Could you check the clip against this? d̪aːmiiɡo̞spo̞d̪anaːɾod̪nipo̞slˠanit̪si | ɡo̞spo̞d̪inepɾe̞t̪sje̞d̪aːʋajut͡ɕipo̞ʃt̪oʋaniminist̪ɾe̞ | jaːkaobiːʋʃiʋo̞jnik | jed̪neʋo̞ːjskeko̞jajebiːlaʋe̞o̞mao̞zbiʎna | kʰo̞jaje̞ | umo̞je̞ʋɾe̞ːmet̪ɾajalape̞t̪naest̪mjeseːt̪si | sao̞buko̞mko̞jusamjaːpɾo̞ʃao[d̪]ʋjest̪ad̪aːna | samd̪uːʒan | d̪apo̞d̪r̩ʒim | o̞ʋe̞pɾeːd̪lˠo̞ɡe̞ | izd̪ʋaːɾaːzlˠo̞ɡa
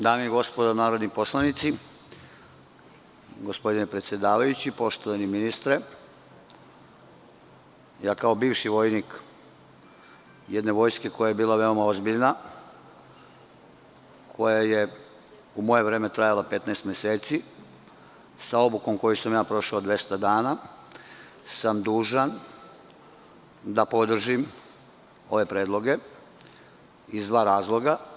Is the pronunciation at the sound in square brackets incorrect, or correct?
correct